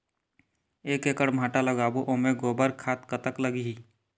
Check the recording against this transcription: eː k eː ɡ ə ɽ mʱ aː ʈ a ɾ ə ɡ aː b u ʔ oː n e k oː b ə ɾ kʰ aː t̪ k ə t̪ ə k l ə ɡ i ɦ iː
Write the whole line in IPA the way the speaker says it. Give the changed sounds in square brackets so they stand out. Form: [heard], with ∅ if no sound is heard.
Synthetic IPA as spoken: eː k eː [k] ə ɽ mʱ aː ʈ a [l] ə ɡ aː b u ʔ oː [m] e [ɡ] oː b ə ɾ kʰ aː t̪ k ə t̪ ə k l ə ɡ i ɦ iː